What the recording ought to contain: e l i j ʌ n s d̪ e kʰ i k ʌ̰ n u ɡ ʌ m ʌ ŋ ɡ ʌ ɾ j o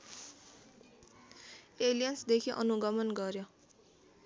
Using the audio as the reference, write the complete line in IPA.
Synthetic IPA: e l i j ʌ n s d̪ e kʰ i ʔ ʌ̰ n u ɡ ʌ m ʌ n ɡ ʌ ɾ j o